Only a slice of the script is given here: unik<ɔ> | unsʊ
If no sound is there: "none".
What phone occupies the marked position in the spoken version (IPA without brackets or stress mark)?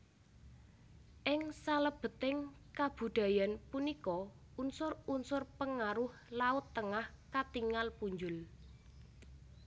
ɔ